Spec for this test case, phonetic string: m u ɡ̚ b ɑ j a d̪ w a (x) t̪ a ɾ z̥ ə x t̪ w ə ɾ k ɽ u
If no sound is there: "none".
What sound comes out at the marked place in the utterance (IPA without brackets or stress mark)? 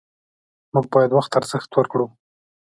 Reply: x